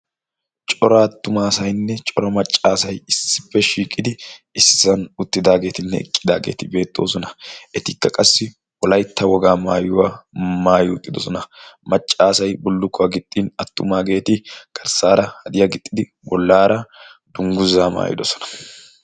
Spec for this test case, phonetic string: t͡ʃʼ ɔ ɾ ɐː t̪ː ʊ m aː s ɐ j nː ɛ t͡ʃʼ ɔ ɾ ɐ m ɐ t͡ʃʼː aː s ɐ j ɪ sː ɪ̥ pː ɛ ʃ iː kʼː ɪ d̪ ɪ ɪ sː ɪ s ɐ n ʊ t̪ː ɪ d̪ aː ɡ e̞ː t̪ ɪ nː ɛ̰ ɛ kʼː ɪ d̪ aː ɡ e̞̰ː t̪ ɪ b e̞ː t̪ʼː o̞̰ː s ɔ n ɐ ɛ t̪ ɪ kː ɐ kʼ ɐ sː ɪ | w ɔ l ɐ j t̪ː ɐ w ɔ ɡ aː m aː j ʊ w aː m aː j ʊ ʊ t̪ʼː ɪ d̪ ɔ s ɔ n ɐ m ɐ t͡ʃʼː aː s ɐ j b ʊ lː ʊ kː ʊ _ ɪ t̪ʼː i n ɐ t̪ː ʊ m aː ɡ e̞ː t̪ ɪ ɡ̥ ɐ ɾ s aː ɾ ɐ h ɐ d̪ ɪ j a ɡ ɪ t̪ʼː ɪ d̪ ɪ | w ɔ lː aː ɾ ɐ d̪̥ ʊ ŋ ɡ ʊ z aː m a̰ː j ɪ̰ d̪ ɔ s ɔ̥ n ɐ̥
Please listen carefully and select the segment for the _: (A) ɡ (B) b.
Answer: A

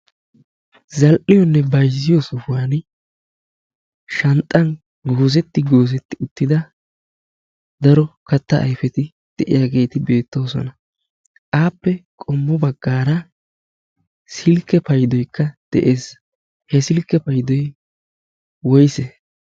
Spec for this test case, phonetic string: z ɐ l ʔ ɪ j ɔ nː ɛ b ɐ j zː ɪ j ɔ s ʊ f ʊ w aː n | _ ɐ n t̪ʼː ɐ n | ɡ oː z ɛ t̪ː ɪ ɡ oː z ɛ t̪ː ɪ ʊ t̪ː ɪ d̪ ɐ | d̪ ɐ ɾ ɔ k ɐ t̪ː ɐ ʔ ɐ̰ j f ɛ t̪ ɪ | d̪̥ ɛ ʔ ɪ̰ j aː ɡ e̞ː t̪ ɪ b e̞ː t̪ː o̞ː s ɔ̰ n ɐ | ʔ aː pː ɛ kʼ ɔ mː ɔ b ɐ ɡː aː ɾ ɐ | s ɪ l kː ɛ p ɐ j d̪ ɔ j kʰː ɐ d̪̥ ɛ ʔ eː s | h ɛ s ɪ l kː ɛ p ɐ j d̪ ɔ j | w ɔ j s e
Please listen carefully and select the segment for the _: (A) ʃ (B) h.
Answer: A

